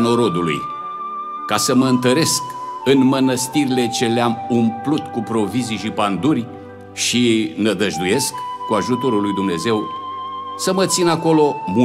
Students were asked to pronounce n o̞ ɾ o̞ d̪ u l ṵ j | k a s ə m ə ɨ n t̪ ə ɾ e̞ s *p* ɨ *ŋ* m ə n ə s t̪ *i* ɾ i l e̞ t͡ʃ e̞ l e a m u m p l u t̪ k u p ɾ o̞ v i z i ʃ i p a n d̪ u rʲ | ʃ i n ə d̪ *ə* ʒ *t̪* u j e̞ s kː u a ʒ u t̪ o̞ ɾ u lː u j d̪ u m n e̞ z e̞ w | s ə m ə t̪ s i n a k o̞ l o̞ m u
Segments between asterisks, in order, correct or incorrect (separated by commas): incorrect, incorrect, correct, correct, incorrect